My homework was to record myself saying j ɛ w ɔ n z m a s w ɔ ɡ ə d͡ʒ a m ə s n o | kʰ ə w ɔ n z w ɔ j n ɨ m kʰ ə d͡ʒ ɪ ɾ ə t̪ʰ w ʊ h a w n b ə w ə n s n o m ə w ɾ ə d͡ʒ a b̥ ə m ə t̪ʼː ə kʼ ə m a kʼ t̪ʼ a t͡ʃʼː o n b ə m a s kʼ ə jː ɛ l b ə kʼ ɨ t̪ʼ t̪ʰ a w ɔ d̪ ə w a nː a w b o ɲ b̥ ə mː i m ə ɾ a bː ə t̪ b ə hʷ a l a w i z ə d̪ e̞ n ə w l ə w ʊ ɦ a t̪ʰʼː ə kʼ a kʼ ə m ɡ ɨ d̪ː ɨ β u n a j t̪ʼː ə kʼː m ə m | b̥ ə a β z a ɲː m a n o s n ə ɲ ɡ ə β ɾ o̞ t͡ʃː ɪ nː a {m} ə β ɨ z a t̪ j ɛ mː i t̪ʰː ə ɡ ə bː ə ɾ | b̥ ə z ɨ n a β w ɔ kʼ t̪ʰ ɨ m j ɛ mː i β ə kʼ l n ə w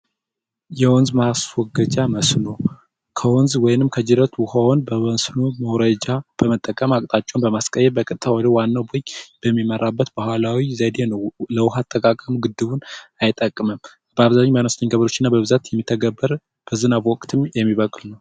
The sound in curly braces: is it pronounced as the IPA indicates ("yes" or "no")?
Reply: no